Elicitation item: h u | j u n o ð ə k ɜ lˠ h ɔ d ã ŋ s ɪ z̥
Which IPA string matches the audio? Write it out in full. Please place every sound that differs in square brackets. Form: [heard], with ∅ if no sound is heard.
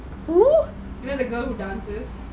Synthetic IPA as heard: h u | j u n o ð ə [ɡ] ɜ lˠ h [u] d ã [n] s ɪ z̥